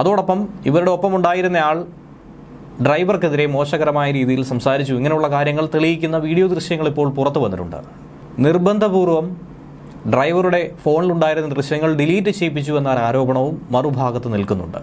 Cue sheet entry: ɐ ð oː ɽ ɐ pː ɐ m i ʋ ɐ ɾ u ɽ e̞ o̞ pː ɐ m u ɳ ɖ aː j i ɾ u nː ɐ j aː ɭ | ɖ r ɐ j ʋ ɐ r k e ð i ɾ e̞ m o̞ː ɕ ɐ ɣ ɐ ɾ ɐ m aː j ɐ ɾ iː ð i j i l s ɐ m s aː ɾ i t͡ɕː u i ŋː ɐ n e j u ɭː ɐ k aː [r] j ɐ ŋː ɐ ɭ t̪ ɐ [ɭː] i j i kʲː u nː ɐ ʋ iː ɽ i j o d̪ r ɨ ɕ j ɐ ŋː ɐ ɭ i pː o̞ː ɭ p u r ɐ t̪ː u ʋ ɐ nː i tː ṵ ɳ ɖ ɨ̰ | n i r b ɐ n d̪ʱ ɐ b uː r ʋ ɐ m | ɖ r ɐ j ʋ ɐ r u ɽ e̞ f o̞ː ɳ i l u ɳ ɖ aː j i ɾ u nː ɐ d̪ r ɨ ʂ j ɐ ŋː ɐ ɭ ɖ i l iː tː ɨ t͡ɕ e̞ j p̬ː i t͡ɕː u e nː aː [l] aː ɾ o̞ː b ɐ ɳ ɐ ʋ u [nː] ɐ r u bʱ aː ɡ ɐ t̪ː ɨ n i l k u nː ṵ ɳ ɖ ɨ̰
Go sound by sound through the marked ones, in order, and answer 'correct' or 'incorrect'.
incorrect: ɾ, incorrect: ɭ, incorrect: ɾ, incorrect: mː

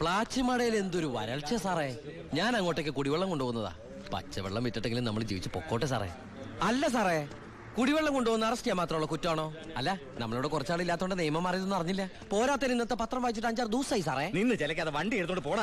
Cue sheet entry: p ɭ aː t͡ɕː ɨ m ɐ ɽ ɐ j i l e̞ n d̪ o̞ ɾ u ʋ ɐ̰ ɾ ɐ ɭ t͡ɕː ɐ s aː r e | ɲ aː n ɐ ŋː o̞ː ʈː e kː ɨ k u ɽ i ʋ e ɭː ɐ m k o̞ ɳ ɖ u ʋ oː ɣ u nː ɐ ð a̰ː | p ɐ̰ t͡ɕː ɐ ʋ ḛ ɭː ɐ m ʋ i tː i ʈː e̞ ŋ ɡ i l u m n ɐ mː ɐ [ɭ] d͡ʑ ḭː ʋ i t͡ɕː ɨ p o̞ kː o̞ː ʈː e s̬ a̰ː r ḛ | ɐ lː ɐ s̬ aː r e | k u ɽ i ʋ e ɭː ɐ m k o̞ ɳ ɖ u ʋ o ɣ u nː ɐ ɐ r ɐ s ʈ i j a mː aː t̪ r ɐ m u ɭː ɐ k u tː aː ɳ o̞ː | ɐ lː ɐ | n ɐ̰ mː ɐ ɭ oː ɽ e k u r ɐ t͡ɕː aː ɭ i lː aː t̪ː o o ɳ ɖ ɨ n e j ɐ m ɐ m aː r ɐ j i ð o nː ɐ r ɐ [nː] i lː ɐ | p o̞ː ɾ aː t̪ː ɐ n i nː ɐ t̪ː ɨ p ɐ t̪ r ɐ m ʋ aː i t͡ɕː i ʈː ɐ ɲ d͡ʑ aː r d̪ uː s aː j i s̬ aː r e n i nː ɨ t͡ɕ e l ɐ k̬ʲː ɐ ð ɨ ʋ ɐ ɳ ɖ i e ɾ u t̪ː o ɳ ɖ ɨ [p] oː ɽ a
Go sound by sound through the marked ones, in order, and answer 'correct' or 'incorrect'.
correct, incorrect: ɲː, correct

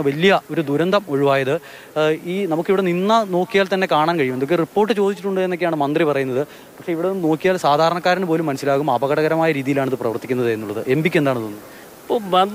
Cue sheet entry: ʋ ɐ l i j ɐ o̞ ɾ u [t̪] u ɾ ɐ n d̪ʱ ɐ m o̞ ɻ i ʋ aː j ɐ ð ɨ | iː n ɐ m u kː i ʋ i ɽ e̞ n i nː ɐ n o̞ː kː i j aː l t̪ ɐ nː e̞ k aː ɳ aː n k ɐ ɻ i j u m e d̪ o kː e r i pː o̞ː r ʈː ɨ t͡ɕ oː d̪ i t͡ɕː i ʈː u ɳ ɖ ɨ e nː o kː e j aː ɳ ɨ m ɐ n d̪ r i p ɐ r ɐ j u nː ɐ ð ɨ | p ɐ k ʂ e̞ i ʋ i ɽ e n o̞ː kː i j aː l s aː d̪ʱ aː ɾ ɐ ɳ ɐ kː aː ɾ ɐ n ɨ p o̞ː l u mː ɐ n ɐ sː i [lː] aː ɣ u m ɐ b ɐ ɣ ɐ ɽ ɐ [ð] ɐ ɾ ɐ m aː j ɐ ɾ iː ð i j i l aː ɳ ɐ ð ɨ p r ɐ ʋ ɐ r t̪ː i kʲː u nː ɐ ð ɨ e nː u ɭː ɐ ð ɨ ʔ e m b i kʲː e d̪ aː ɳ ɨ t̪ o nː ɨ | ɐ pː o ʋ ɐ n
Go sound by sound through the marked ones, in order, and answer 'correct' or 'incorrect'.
incorrect: d̪, incorrect: l, incorrect: ɣ

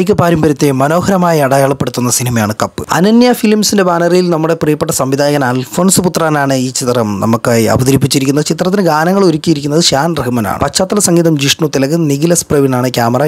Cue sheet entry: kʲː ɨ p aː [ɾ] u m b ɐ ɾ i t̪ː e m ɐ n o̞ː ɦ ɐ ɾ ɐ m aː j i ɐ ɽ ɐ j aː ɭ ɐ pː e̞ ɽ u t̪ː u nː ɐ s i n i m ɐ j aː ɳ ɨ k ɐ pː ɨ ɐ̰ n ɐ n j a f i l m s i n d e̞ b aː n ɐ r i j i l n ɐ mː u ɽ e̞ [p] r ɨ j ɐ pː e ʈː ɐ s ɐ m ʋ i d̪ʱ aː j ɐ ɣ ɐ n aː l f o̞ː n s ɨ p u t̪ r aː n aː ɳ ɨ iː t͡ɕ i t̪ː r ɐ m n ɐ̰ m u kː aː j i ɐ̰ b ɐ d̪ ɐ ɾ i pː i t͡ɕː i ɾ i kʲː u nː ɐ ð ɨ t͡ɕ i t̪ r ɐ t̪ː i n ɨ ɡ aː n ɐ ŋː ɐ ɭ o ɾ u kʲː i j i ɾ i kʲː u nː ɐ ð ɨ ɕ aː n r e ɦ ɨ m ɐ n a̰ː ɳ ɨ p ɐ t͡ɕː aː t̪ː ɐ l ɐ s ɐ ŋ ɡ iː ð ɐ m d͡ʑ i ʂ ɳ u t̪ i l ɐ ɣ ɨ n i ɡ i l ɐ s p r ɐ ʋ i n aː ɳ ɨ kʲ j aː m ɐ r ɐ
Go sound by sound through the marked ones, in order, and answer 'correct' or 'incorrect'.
correct, correct

